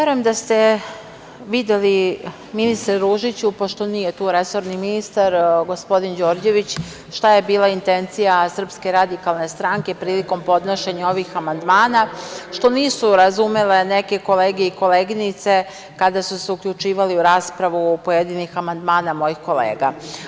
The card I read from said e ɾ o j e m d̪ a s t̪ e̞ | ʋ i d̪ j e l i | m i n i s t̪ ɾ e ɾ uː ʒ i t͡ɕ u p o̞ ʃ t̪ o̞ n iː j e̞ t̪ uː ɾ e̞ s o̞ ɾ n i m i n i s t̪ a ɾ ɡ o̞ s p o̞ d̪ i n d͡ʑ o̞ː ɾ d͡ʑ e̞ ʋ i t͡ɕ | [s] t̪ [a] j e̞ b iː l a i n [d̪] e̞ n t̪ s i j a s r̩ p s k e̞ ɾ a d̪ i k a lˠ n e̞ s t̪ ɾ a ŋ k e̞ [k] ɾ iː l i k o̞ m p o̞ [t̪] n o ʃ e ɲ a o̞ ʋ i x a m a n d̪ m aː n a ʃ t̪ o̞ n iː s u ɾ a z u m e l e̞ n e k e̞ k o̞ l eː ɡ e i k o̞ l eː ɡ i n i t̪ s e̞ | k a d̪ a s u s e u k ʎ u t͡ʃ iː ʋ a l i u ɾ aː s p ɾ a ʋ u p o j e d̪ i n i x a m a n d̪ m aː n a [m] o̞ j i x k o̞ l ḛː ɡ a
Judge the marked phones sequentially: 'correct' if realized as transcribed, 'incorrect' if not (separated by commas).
incorrect, correct, incorrect, incorrect, incorrect, correct